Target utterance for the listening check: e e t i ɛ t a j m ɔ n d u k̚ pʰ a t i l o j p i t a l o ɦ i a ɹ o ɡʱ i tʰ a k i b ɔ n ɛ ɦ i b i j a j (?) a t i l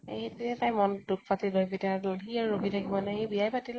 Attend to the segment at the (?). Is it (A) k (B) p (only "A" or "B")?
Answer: B